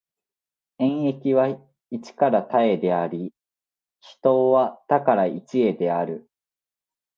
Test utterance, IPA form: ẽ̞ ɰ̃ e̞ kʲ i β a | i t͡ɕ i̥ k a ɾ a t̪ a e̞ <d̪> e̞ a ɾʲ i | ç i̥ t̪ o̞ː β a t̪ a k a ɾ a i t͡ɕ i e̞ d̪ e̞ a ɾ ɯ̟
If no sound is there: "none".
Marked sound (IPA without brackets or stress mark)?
d̪